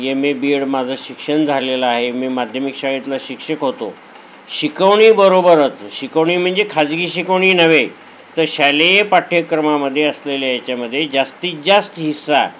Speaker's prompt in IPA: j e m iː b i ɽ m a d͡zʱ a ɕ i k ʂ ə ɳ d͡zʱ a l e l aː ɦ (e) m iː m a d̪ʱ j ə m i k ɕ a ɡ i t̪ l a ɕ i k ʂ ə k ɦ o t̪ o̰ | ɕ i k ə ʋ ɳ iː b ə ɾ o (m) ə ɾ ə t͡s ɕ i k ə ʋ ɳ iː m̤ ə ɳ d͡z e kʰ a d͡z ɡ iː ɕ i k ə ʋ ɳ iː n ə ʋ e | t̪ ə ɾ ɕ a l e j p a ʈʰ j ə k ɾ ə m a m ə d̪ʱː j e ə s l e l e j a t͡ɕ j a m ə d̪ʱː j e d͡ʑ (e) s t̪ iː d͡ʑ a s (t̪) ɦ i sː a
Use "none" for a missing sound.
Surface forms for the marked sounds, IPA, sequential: e, b, a, t̪

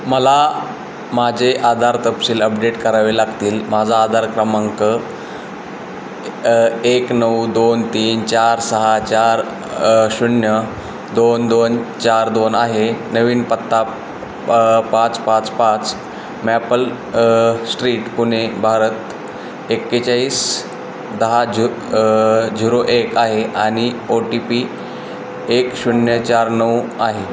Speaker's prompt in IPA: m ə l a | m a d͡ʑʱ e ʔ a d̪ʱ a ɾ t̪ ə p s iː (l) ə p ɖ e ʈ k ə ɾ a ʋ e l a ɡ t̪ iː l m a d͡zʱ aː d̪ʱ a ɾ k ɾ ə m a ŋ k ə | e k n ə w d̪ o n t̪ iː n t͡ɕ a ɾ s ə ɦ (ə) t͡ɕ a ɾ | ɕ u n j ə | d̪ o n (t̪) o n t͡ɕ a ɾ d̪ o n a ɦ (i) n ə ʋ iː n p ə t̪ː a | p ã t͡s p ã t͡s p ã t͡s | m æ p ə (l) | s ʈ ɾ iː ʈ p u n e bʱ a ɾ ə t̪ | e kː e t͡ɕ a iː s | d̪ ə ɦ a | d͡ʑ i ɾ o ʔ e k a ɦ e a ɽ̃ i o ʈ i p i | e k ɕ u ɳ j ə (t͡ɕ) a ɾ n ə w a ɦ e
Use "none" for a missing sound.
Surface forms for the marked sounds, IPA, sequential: l, a, d̪, e, l, t͡ɕ

